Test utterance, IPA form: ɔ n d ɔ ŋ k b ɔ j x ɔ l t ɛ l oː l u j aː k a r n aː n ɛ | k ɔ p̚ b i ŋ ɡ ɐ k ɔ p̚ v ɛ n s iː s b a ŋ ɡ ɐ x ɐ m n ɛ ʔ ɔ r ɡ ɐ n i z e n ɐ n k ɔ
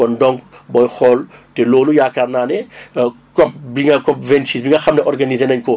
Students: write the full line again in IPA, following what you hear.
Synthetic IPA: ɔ n d ɔ ŋ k b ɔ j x ɔ l t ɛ l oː l u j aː k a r n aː n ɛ | k ɔ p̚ b i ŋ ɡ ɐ k ɔ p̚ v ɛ n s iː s b i ŋ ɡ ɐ x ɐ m n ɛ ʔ ɔ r ɡ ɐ n i z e n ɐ ɲ k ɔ